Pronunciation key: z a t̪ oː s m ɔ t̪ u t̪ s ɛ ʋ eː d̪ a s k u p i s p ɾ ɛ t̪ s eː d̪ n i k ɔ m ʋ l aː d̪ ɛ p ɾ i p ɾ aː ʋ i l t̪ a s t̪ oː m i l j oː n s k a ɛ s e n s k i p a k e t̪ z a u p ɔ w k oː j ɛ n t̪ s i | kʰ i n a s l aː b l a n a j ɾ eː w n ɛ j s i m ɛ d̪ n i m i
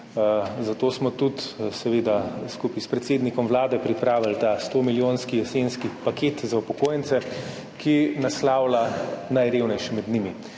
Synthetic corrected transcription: z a t̪ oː s m ɔ t̪ u t̪ s ɛ ʋ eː d̪ a s k u p i s p ɾ ɛ t̪ s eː d̪ n i k ɔ m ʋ l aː d̪ ɛ p ɾ i p ɾ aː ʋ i l t̪ a s t̪ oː m i l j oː n s k i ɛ s e n s k i p a k e t̪ z a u p ɔ k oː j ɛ n t̪ s ɛ | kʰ i n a s l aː w l a n a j ɾ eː w n ɛ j ʃ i m ɛ d̪ n i m i

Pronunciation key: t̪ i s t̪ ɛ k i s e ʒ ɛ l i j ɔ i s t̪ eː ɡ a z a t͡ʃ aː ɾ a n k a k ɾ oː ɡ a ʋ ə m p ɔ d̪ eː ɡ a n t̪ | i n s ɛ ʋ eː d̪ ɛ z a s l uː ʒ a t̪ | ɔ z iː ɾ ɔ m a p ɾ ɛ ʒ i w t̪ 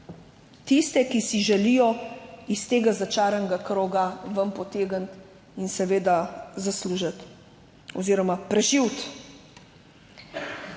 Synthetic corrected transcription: t̪ i s t̪ ɛ k i s i ʒ ɛ l i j ɔ i s t̪ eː ɡ a z a t͡ʃ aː ɾ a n ɡ a k ɾ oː ɡ a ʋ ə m p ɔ t̪ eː ɡ ə n t̪ | i n s ɛ ʋ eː d̪ a z a s l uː ʒ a t̪ | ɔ z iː ɾ ɔ m a p ɾ ɛ ʒ i w t̪

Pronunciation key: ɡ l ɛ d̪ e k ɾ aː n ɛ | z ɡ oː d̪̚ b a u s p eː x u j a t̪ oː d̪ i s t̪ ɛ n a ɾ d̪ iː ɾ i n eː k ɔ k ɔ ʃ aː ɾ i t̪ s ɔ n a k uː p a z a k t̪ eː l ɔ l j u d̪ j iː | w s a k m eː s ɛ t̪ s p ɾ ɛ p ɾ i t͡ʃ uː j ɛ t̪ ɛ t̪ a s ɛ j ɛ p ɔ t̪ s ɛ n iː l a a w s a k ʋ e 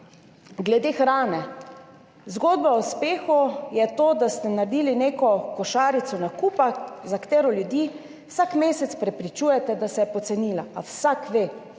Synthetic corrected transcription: ɡ l ɛ d̪ e x ɾ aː n ɛ | z ɡ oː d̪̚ b a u s p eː x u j ɛ t̪ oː d̪ a s t̪ ɛ n a ɾ d̪ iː l i n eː k ɔ k ɔ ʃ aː ɾ i t̪ s ɔ n a k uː p a z a k t̪ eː ɾ ɔ l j u d̪ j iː | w s a k m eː s ɛ t̪ s p ɾ ɛ p ɾ i t͡ʃ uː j ɛ t̪ ɛ d̪ a s ɛ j ɛ p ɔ t̪ s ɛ n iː l a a w s a k ʋ e

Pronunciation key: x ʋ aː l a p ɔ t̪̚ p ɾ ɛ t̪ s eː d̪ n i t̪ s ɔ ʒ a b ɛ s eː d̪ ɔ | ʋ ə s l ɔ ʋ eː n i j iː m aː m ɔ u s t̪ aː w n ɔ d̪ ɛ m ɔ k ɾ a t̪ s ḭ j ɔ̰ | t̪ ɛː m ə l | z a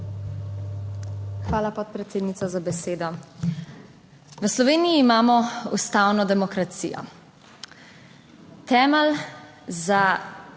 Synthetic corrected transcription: x ʋ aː l a p ɔ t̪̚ p ɾ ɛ t̪ s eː d̪ n i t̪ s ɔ z a b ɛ s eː d̪ ɔ | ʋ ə s l ɔ ʋ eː n i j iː m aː m ɔ u s t̪ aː w n ɔ d̪ ɛ m ɔ k ɾ a t̪ s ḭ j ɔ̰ | t̪ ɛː m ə l | z a

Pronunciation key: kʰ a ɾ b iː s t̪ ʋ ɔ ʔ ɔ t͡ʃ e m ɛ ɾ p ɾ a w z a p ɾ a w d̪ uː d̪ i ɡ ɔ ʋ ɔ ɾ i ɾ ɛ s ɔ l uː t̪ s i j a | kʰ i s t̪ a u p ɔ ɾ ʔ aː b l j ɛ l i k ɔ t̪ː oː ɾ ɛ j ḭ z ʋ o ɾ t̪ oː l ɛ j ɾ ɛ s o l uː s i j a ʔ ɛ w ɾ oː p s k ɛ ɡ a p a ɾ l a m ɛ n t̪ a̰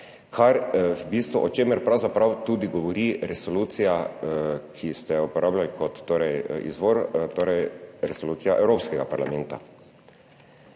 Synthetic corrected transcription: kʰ a ɾ b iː s t̪ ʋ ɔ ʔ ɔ t͡ʃ e m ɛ ɾ p ɾ a w z a p ɾ a w t̪ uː d̪ i ɡ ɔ ʋ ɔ ɾ i ɾ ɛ s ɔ l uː t̪ s i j a | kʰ i s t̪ ɛ u p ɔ ɾ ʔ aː b l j a l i k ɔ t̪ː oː ɾ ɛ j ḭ z ʋ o ɾ t̪ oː ɾ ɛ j ɾ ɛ s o l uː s i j a ʔ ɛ w ɾ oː p s k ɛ ɡ a p a ɾ l a m ɛ n t̪ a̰

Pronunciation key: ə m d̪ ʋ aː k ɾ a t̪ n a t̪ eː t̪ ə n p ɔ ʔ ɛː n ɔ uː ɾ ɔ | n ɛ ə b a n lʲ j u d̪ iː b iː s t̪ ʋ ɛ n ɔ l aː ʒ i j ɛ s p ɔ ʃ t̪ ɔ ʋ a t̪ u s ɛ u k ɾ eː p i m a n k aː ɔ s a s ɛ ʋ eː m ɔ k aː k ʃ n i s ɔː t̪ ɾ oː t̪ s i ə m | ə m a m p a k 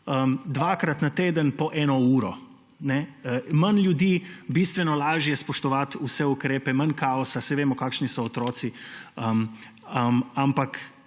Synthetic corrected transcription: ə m d̪ ʋ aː k ɾ a t̪ n a t̪ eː d̪ ə n p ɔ ʔ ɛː n ɔ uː ɾ ɔ | n ɛ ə m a n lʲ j u d̪ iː b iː s t̪ ʋ ɛ n ɔ l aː ʒ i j ɛ s p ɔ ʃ t̪ ɔ ʋ a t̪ u s ɛ u k ɾ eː p ɛ m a n k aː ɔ s a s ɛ ʋ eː m ɔ k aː k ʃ n i s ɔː t̪ ɾ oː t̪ s i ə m | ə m a m p a k

